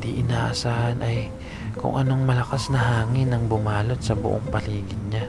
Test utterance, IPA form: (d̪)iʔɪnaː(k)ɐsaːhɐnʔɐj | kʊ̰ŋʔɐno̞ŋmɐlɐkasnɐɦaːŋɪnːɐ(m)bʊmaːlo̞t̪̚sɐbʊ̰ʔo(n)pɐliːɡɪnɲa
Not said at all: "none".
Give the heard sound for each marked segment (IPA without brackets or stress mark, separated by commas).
d̪, ʔ, ŋ, ŋ